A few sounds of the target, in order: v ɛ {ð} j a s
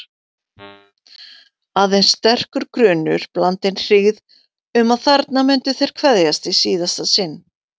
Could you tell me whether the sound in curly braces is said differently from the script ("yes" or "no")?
no